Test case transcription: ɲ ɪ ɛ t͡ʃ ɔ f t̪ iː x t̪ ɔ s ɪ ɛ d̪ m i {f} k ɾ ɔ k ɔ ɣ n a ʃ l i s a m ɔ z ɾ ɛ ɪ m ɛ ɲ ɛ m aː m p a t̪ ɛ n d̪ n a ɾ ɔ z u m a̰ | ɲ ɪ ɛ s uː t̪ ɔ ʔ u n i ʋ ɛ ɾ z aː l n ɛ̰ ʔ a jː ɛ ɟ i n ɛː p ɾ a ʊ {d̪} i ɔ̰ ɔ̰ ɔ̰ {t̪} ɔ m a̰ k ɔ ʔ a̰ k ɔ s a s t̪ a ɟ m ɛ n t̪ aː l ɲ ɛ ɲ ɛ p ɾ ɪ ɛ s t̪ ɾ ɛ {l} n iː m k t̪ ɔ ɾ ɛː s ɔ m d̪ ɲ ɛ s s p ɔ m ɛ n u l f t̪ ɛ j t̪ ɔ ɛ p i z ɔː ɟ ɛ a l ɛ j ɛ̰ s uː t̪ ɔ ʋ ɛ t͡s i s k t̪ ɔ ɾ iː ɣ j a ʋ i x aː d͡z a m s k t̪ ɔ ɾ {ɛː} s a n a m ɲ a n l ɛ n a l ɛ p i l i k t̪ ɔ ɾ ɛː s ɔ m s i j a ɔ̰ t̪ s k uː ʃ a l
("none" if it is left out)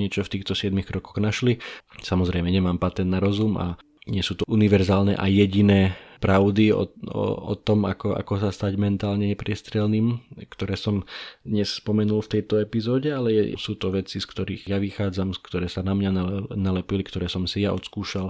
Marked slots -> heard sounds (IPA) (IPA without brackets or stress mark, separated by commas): x, d̪, t̪, l, ɛː